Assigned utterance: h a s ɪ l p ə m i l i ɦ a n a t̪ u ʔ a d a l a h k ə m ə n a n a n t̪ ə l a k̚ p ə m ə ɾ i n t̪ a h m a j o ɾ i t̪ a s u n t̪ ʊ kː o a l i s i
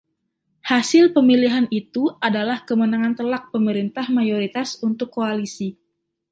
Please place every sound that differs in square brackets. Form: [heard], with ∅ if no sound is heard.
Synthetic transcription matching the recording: h a s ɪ l p ə m i l i ɦ a n [i] t̪ u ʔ a d a l a h k ə m ə n a [ŋ] a n t̪ ə l a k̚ p ə m ə ɾ i n t̪ a h m a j o ɾ i t̪ a s u n t̪ ʊ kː o a l i s i